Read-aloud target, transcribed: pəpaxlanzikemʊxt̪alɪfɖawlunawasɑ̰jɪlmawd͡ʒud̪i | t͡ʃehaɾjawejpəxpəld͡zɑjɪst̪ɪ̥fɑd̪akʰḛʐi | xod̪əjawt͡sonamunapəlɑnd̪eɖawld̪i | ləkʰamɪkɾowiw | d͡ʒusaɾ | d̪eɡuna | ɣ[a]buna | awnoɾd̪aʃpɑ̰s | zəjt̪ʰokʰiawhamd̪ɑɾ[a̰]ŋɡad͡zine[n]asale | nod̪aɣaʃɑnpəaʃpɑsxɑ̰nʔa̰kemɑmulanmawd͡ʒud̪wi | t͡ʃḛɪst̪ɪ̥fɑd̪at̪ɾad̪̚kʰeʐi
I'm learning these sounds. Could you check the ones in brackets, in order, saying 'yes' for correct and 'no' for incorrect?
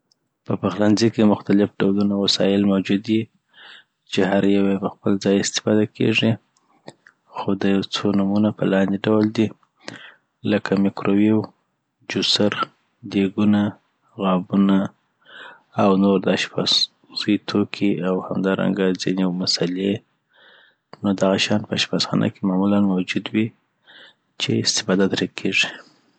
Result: no, yes, no

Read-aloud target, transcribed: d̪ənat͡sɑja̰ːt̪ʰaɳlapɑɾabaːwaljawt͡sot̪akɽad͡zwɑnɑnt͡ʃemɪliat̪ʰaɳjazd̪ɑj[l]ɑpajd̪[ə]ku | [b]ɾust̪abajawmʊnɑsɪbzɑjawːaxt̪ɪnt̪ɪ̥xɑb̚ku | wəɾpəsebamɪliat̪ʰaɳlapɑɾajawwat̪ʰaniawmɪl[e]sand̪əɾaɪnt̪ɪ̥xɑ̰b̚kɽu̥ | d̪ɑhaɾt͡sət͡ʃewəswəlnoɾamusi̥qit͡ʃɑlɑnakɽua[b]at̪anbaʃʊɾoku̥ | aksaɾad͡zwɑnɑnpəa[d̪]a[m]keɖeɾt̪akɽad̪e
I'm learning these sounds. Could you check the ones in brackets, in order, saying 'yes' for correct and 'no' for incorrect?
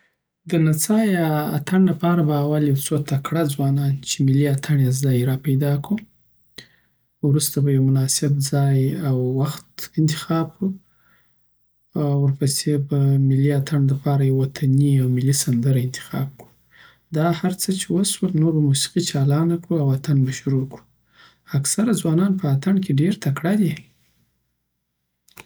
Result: no, no, no, no, no, no, no

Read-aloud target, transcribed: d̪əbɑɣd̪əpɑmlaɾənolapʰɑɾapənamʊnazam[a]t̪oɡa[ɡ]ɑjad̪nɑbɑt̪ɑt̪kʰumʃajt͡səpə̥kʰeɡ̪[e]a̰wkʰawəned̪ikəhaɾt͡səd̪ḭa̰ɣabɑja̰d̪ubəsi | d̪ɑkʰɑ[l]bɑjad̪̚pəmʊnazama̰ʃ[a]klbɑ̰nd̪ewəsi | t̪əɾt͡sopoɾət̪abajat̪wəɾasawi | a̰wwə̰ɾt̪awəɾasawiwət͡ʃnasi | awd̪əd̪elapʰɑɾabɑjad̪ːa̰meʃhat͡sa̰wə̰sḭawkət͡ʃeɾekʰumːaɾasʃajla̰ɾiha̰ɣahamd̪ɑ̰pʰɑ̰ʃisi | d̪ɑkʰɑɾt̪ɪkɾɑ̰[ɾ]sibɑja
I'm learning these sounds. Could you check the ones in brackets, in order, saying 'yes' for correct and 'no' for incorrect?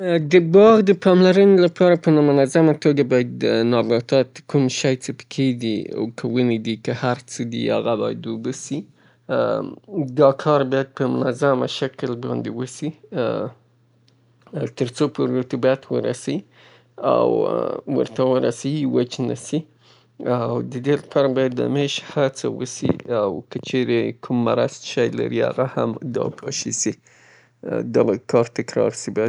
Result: yes, no, no, no, yes, yes

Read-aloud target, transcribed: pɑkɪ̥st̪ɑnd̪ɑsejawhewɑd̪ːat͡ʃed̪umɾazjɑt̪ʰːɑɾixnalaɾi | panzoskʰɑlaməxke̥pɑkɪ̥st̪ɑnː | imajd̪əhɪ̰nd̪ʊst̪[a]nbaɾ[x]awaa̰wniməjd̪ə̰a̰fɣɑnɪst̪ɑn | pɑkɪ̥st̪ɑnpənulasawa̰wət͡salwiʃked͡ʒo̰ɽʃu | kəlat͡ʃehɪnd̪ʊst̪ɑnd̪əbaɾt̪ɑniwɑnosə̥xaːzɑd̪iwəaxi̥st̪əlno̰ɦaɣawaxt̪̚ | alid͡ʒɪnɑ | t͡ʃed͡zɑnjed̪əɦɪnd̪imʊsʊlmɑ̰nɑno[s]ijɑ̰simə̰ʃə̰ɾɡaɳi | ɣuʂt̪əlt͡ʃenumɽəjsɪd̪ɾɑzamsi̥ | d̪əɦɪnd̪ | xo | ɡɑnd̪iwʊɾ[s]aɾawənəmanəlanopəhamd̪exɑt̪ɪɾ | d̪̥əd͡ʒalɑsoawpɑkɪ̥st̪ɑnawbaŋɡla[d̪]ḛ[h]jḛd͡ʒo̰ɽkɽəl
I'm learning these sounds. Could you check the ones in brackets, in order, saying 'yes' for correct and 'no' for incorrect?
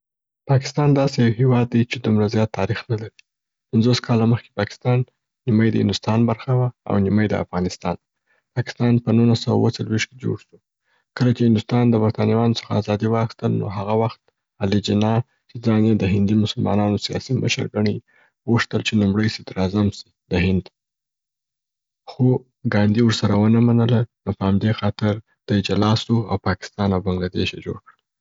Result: no, yes, yes, yes, yes, no

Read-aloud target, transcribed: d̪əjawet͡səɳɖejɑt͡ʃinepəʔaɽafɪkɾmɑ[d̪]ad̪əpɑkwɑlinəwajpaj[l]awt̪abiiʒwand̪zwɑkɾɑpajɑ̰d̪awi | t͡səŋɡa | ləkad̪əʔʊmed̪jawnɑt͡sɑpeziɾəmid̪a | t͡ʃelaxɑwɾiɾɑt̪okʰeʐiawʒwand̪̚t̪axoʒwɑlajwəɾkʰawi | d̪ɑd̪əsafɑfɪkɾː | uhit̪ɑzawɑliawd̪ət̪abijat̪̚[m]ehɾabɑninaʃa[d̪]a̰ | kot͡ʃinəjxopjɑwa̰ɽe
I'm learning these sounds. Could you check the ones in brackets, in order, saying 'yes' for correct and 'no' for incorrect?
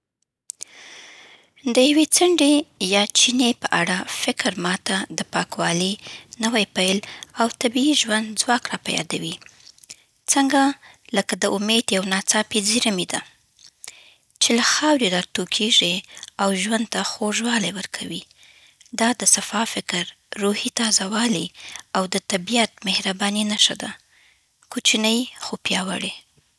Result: no, yes, yes, yes

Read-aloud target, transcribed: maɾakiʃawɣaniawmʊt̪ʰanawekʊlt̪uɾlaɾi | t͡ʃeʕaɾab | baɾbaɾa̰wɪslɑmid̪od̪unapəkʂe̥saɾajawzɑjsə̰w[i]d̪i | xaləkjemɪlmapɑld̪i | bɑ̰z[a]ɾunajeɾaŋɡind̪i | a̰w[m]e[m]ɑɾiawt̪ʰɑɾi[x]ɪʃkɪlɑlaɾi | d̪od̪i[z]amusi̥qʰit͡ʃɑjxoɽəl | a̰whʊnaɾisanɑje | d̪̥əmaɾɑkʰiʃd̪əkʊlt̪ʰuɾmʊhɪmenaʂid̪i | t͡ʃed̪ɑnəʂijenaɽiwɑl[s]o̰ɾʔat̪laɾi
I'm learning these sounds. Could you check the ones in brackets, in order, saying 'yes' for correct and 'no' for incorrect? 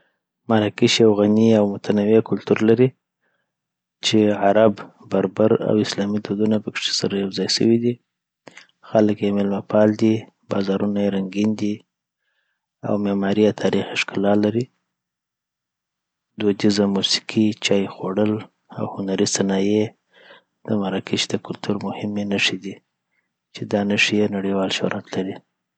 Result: yes, no, yes, yes, yes, yes, no

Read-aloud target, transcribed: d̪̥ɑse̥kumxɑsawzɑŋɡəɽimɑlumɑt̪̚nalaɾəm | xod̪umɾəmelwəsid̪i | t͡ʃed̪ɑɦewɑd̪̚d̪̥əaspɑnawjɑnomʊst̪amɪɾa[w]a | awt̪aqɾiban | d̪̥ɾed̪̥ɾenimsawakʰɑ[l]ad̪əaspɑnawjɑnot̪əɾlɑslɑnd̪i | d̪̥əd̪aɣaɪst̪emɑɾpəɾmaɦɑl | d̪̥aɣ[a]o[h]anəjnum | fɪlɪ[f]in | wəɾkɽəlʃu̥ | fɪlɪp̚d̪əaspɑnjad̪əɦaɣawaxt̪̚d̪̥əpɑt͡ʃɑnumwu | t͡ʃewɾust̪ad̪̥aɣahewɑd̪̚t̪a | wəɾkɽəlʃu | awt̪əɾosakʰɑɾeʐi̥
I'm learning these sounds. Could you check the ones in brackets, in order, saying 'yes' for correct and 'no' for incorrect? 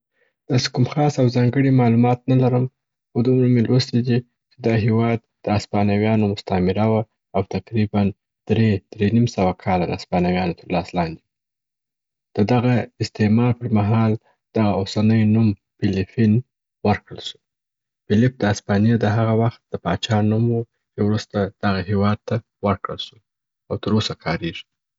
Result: yes, yes, yes, no, yes

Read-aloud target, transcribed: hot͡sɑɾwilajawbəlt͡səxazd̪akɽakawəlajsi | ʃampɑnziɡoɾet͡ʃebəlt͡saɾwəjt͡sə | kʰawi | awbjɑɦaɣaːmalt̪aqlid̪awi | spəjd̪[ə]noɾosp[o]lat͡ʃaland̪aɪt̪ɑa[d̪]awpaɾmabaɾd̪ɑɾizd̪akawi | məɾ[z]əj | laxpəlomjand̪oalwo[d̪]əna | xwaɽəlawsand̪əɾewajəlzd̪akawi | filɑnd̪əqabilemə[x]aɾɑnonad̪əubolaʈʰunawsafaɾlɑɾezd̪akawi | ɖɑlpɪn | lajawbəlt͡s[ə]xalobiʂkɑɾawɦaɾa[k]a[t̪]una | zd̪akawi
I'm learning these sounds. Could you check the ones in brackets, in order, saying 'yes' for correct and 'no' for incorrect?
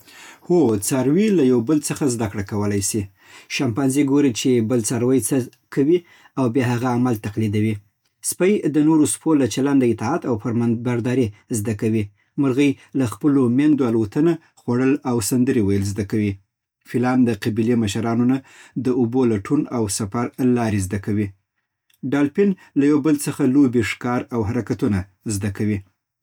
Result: yes, yes, no, no, no, no, yes, yes, yes

